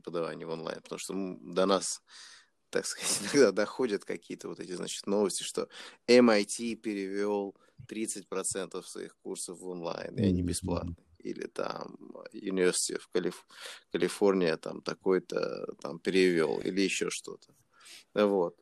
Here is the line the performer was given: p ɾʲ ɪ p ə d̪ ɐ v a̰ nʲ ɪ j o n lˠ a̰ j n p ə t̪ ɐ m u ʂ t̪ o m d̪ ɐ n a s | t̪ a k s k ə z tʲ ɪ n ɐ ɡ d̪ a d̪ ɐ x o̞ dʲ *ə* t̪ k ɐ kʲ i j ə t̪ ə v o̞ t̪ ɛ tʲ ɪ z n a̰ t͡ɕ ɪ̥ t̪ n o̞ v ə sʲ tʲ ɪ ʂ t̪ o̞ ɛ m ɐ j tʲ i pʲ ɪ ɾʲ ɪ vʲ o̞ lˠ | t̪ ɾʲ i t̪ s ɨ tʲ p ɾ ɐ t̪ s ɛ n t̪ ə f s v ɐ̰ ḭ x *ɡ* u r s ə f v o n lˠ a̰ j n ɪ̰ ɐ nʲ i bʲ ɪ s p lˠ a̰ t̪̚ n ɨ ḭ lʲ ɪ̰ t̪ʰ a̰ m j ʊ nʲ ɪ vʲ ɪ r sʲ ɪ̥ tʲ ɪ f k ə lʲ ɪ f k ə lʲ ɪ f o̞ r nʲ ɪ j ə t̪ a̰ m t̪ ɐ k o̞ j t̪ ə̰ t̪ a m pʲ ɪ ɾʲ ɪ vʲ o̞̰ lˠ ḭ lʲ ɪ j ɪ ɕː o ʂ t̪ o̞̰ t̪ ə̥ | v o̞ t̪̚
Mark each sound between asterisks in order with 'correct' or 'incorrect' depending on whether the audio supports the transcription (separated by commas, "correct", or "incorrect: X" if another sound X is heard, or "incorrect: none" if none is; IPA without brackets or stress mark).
correct, incorrect: k